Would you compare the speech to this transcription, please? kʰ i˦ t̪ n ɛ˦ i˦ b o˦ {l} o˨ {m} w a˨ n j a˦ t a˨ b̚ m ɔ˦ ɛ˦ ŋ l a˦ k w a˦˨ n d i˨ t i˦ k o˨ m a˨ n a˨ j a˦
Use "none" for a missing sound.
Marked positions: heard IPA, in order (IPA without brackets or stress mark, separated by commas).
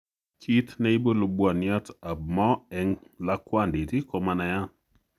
l, b